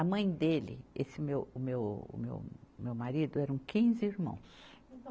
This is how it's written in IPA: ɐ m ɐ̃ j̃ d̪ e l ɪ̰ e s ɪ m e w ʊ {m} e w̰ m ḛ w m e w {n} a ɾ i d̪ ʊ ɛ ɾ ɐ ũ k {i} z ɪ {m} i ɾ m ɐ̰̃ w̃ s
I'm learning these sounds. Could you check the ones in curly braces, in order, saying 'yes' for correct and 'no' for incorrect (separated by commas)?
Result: yes, no, no, no